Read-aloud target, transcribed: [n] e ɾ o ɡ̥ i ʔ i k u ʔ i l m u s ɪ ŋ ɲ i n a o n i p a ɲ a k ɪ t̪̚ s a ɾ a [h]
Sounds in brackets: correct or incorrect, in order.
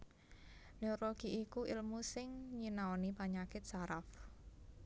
correct, incorrect

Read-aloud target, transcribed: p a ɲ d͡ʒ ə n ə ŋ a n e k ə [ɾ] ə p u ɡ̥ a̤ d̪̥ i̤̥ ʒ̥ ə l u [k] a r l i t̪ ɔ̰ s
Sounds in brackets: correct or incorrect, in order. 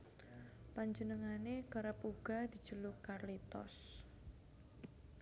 correct, correct

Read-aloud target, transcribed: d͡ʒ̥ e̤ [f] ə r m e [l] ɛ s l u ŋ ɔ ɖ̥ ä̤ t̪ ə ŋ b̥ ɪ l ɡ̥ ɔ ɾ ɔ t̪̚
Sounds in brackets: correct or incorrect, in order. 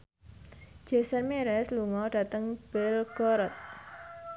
incorrect, incorrect

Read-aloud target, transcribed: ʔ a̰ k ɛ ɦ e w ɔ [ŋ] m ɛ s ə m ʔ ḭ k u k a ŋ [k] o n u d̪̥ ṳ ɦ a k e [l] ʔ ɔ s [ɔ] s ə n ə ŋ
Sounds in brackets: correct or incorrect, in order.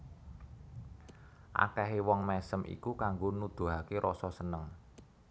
correct, incorrect, incorrect, correct

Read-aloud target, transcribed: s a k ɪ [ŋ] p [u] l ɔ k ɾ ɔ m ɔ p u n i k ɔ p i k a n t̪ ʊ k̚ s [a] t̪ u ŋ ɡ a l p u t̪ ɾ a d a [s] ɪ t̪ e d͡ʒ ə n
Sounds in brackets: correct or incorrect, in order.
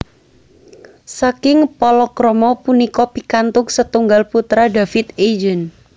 correct, incorrect, incorrect, incorrect

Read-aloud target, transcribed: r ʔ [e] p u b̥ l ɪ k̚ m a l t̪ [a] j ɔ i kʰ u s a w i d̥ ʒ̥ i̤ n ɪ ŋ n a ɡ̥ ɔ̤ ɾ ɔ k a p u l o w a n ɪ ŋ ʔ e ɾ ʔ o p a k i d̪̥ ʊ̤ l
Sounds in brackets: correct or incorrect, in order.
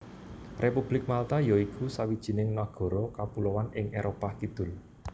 correct, correct

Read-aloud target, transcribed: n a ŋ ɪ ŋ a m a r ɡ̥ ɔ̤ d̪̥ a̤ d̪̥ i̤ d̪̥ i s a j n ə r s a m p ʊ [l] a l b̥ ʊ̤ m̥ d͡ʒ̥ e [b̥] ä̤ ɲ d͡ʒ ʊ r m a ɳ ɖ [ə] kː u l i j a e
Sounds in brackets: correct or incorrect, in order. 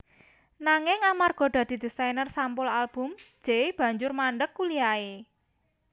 correct, correct, correct

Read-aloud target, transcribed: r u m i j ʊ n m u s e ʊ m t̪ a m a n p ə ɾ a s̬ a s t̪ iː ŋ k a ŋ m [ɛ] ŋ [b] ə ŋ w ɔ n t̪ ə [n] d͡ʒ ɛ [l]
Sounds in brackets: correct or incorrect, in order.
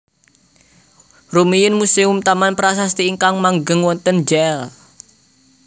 incorrect, incorrect, correct, correct

